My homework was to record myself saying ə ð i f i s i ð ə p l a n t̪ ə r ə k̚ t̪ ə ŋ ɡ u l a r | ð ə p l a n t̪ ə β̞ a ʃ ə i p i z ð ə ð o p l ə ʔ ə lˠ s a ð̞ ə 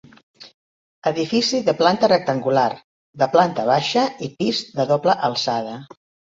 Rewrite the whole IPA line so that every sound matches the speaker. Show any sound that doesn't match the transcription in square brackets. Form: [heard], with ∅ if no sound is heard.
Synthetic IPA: ə ð i f i s i ð ə p l a n t̪ ə r ə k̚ t̪ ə ŋ ɡ u l a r | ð ə p l a n t̪ ə β̞ a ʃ ə i p i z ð ə ð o p l ə ʔ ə lˠ s a ð̞ ə